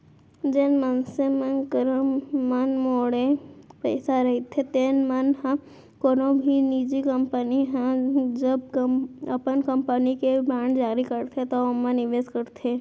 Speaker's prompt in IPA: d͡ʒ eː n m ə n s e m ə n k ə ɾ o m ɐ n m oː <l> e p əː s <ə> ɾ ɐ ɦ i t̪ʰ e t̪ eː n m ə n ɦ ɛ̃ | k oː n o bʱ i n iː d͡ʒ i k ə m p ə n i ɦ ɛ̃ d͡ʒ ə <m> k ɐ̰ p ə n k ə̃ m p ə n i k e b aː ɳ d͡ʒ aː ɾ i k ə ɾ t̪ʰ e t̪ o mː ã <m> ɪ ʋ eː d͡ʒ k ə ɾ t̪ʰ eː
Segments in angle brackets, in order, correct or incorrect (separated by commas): incorrect, incorrect, incorrect, incorrect